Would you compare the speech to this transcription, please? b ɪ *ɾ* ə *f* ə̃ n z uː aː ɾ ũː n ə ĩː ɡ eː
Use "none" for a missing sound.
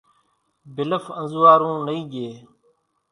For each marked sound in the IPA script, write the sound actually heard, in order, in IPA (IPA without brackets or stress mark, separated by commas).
l, f